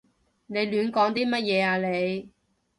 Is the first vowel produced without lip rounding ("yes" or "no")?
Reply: yes